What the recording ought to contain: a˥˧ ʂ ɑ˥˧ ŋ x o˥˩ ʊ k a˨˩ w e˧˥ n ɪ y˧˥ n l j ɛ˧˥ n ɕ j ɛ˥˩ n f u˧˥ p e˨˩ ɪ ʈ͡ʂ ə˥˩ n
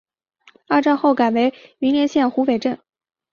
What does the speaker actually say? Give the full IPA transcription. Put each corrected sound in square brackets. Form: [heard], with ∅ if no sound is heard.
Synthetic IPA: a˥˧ [ʈ͡ʂ] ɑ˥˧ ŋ x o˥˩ ʊ k a˨˩ w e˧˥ [∅] ɪ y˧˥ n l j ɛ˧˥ n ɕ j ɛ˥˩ n [x] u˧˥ p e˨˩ ɪ ʈ͡ʂ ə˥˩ n